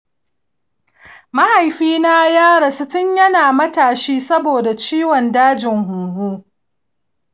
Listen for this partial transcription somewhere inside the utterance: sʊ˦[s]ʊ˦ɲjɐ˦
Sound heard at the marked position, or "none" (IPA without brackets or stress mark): t